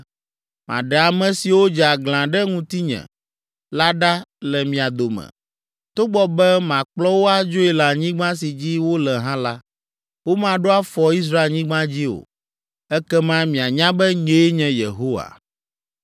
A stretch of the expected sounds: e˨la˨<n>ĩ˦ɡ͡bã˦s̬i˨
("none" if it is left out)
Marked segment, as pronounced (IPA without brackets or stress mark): ɲ